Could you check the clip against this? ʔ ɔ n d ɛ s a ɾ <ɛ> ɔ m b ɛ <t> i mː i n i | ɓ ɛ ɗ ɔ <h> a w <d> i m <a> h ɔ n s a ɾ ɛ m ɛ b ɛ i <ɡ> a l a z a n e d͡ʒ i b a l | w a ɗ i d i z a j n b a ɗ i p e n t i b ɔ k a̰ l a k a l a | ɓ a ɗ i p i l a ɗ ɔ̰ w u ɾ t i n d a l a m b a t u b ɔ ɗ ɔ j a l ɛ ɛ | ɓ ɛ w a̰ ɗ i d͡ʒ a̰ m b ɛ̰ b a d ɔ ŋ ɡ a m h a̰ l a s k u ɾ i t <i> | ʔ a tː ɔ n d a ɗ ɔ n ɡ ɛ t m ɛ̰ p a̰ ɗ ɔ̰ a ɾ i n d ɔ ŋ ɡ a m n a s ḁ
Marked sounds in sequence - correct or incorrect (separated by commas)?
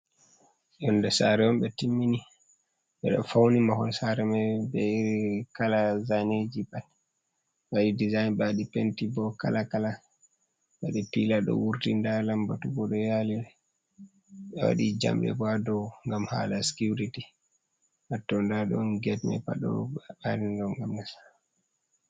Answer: correct, correct, incorrect, incorrect, correct, incorrect, correct